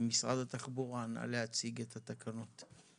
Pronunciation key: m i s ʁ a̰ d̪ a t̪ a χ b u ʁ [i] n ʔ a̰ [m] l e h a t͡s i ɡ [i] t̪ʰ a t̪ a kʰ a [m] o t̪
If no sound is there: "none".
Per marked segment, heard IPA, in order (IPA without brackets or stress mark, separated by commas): a, none, e, n